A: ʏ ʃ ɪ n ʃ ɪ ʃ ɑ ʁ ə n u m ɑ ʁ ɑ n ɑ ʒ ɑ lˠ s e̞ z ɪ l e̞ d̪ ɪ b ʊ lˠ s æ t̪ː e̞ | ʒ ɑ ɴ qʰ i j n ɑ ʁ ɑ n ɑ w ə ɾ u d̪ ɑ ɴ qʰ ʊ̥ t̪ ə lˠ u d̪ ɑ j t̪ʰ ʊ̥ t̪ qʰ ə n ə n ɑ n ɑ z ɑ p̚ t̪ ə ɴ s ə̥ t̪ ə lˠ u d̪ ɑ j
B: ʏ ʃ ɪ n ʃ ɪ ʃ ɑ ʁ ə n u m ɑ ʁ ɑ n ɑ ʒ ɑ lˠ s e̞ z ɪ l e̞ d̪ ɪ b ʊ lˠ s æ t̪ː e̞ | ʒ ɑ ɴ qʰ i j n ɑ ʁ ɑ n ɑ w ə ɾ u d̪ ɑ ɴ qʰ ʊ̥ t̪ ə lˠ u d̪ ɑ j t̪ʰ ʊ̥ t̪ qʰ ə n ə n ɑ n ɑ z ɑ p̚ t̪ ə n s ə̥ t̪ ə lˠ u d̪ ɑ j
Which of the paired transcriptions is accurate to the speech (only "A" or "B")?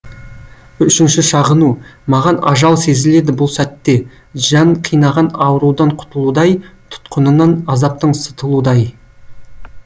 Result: A